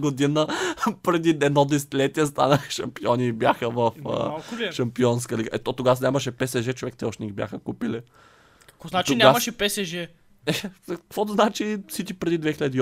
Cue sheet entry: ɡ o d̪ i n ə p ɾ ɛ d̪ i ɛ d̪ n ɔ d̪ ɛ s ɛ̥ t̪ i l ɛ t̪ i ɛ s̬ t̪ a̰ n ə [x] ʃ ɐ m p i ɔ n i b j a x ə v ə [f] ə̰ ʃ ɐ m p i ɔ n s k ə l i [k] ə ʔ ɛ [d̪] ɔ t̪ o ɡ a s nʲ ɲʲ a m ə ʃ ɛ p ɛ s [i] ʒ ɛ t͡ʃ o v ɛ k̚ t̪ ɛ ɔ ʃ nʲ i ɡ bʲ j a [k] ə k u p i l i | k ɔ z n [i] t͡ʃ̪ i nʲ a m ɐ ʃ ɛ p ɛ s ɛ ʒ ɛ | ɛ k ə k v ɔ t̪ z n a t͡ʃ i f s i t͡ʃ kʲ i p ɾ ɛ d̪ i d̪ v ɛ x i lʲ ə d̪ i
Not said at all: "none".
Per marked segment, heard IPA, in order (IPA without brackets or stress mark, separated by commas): x, f, ɡ, t̪, ɛ, x, a